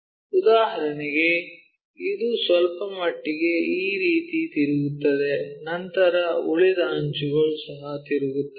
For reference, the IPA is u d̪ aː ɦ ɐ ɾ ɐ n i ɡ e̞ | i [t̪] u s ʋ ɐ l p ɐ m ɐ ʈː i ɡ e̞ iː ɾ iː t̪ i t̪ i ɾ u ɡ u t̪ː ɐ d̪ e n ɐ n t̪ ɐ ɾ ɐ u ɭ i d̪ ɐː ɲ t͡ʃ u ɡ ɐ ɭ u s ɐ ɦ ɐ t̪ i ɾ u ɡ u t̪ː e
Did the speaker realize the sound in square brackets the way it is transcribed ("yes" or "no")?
no